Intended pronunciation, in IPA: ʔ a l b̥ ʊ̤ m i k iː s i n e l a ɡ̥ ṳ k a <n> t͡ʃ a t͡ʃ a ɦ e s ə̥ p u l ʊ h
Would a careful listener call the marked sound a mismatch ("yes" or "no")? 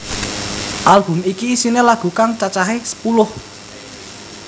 yes